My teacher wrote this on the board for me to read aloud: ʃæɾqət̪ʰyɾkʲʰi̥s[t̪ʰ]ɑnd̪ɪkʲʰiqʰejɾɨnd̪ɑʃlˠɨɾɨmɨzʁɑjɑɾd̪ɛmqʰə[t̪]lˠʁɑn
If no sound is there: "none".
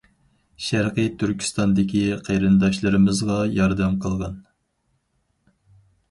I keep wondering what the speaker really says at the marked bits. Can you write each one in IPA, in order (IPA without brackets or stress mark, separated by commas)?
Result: t̪, none